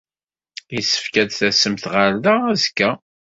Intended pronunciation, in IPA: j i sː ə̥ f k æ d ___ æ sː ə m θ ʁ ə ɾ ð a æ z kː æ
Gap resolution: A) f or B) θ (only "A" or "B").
B